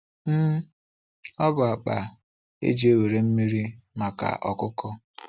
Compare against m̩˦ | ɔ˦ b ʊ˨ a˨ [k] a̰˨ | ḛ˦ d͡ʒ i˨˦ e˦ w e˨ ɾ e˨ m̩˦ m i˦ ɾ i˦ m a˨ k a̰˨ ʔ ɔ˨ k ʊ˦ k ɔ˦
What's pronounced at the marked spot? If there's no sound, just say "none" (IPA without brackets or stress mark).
k͡p